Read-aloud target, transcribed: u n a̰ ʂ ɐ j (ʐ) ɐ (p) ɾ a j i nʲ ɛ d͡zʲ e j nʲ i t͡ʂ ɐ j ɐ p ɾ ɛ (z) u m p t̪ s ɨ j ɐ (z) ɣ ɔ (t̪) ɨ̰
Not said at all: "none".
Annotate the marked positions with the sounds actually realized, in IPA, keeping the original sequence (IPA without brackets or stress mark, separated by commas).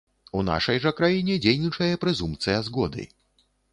ʐ, k, z, z, d̪